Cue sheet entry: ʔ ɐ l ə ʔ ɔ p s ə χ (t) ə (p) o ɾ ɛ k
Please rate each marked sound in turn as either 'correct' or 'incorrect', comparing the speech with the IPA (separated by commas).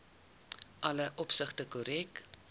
correct, incorrect